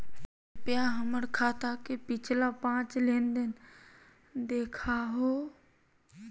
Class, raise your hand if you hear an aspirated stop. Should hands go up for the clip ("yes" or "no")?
yes